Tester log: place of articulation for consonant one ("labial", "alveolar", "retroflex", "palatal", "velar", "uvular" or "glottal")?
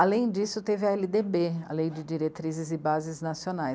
alveolar